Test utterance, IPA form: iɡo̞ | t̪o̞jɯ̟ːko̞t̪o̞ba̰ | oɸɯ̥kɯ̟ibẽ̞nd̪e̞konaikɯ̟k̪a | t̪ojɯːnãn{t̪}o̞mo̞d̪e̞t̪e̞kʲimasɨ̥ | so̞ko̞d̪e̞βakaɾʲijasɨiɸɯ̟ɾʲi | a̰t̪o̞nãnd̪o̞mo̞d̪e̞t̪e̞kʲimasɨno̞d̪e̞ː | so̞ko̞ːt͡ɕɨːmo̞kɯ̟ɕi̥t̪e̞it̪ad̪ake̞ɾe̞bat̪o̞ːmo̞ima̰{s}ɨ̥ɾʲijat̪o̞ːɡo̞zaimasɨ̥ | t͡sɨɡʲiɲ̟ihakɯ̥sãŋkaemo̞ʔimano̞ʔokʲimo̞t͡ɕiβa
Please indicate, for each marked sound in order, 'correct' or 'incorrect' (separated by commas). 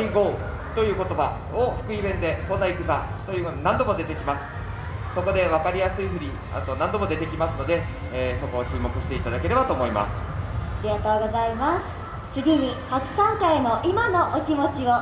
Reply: incorrect, correct